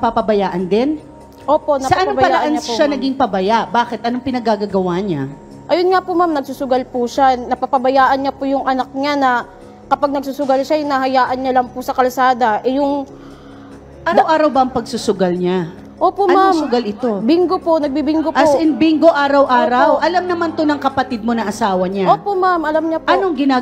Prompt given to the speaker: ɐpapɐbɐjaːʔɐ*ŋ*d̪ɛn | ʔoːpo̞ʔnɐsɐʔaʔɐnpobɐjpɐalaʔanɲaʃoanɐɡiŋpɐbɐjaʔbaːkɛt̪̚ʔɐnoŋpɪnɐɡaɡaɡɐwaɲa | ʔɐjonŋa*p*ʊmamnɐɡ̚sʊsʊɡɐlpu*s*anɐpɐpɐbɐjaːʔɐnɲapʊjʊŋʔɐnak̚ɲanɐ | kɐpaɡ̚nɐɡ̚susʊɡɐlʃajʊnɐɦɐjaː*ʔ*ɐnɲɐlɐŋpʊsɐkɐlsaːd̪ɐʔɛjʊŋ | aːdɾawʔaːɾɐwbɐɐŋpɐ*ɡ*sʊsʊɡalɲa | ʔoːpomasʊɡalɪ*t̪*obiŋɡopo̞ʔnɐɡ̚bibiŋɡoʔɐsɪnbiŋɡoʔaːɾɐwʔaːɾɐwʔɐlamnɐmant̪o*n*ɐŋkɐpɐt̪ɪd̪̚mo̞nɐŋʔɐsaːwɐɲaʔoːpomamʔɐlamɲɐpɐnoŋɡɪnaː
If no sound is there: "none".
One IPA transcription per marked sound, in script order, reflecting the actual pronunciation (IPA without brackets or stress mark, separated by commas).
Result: n, p, ʃ, ʔ, ɡ, t̪, n